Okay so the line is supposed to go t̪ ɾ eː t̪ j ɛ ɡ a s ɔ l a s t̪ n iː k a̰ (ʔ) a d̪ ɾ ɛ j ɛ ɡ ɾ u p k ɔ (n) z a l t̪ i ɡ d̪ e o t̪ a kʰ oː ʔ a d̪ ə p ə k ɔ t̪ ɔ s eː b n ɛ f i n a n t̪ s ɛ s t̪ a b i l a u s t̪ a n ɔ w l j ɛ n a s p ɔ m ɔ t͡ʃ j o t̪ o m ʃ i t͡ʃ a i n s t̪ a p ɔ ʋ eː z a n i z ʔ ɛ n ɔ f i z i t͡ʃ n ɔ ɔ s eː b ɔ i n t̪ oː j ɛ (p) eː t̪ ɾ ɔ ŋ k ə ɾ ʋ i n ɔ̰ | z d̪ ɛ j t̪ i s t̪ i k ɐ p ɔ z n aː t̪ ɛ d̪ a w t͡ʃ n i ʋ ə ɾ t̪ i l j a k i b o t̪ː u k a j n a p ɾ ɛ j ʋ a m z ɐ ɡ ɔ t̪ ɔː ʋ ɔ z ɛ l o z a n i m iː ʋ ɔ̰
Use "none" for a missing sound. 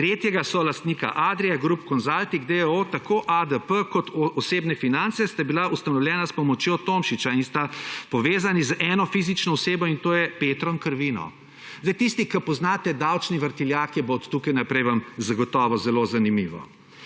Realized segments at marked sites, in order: ʔ, n, p

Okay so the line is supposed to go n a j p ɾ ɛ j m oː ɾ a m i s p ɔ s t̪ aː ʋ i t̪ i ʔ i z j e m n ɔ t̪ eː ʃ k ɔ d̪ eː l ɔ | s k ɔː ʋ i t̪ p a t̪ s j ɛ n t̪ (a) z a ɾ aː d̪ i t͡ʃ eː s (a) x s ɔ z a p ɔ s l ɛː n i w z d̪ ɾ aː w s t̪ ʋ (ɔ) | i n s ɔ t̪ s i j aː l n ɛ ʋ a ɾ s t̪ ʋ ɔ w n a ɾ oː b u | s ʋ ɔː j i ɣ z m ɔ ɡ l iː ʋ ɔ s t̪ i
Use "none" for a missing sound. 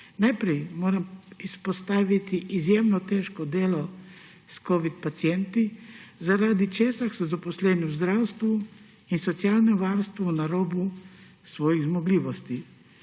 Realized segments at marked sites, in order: i, a, u

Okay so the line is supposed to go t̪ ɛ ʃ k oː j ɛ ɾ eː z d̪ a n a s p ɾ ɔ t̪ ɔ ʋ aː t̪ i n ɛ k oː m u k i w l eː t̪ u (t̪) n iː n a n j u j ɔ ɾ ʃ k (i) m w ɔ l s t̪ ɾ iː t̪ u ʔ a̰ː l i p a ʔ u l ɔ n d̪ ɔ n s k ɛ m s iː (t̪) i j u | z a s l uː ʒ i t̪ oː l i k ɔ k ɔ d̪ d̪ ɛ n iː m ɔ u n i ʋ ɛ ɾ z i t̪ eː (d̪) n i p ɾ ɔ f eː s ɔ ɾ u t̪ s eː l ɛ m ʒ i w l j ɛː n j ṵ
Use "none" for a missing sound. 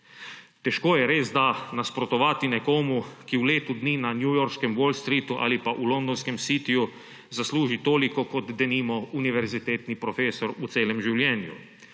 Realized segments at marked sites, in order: d̪, ɛ, t̪, t̪

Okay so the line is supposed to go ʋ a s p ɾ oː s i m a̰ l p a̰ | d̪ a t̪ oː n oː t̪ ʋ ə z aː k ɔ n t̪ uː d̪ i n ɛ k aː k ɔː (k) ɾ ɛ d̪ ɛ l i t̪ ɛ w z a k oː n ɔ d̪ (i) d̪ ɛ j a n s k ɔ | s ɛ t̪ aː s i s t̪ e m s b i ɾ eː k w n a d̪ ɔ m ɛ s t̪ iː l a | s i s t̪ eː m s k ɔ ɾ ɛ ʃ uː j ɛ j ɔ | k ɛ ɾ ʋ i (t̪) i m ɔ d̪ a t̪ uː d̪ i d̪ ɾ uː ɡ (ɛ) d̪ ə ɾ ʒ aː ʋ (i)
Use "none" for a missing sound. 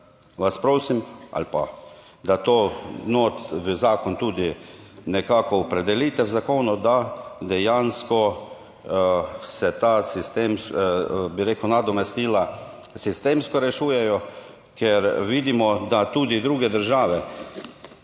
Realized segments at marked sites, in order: p, a, d̪, ɛ, ɛ

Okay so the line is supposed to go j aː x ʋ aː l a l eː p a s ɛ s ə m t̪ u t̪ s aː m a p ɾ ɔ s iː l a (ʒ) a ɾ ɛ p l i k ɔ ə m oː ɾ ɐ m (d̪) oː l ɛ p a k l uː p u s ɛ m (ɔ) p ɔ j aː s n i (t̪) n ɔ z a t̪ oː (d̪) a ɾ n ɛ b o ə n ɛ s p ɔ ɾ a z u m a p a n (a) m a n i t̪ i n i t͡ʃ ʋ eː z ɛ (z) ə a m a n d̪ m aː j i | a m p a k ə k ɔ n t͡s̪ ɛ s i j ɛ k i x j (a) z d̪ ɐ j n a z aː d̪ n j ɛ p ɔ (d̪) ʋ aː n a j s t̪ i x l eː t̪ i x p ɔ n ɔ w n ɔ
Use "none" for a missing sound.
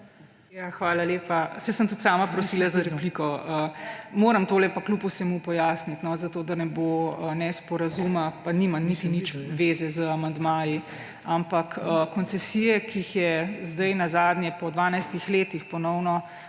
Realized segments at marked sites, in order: z, t̪, u, t̪, d̪, i, z, ɛ, d̪

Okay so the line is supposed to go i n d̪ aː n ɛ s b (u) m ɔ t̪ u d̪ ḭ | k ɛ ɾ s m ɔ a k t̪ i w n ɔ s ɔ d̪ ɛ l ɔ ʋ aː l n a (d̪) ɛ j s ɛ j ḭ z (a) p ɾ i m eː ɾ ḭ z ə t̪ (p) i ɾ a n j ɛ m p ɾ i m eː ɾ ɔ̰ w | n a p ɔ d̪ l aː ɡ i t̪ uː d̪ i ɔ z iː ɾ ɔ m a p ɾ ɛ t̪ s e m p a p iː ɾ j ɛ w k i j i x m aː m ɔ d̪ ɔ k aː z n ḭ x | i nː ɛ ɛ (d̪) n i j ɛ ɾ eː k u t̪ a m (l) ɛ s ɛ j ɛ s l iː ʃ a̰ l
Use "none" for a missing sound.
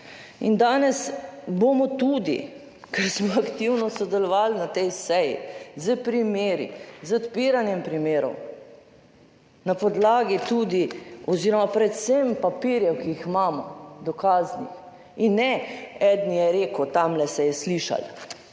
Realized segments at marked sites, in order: o, t̪, ə, p, d̪, l

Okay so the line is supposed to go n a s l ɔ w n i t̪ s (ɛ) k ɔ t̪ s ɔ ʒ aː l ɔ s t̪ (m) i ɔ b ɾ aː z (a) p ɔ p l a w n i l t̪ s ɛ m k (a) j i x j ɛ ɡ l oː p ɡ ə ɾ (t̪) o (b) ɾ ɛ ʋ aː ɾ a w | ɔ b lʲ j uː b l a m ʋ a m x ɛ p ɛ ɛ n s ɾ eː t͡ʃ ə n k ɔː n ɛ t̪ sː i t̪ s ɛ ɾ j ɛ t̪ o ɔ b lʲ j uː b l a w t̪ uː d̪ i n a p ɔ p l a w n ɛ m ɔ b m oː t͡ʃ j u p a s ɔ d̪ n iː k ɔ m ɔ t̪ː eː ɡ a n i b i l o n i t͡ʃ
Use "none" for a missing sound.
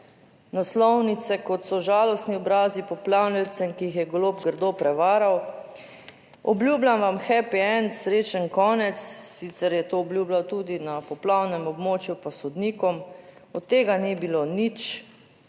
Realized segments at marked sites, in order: ɛ, n, i, i, d̪, p

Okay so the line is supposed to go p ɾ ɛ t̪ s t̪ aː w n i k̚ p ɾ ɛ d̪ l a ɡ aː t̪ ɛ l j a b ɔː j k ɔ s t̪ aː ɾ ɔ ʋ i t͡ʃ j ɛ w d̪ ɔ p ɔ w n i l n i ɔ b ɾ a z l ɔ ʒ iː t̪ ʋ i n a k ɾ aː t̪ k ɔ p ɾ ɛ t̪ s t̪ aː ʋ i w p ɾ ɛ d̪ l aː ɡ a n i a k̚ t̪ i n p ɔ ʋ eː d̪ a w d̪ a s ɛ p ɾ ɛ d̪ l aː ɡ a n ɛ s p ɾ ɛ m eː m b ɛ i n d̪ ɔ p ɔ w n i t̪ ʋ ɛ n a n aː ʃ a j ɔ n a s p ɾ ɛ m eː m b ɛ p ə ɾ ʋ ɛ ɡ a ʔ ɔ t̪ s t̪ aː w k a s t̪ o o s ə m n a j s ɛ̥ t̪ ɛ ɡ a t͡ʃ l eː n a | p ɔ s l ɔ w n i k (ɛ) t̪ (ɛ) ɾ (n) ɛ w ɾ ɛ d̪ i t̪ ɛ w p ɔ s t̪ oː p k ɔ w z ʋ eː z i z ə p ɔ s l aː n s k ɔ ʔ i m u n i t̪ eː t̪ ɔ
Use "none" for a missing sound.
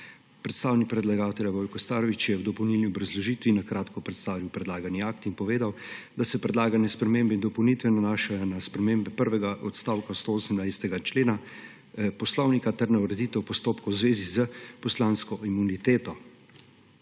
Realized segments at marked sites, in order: a, ɛ, n

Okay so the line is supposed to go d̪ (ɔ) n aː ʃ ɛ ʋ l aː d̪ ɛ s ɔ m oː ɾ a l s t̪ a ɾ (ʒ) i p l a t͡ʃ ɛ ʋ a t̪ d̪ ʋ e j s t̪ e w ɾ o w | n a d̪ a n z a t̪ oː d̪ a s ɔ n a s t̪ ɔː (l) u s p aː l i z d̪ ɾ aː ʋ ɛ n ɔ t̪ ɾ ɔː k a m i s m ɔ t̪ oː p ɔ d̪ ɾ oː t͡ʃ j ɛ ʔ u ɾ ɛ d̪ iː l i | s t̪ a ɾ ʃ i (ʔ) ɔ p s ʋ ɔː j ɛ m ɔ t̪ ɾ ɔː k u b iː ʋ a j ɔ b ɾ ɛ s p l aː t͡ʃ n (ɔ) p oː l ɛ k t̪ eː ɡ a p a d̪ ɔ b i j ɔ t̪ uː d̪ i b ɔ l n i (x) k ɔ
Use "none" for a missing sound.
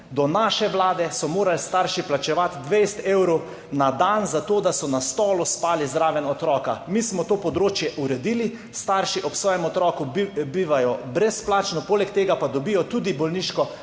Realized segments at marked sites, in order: ɔ, ʃ, l, ʔ, ɔ, ʃ

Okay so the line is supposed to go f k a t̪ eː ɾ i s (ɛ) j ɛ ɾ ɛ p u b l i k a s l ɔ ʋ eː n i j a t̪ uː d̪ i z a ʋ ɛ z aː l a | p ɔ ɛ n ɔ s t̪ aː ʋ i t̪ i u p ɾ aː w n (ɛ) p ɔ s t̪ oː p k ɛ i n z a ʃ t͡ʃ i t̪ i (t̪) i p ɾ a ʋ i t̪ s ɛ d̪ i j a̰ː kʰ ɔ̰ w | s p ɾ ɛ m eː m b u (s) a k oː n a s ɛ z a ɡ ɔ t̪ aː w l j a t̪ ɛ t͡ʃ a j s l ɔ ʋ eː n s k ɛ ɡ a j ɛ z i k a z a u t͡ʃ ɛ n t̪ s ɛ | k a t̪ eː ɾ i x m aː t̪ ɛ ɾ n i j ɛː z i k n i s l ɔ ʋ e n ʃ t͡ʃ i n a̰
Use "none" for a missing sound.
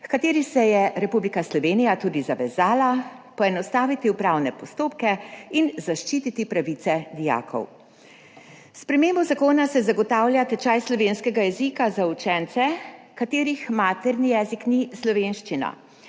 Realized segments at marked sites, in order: ɛ, ɛ, t̪, z

